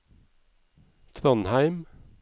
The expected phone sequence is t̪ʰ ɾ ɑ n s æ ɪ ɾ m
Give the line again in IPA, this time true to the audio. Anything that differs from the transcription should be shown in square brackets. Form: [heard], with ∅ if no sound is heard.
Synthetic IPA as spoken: t̪ʰ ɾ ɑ n [h] æ ɪ [∅] m